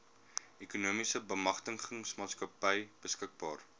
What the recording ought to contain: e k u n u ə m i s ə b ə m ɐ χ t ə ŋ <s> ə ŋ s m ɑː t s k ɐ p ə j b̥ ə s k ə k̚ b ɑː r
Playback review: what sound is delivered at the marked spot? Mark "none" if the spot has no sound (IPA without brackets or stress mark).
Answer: χ